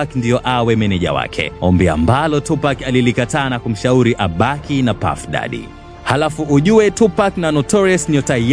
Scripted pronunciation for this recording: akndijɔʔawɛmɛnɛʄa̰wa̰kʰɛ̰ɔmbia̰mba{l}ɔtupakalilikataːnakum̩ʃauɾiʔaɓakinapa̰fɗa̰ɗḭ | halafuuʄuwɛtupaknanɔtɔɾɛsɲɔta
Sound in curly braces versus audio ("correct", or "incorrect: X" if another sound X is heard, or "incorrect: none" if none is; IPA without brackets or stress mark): correct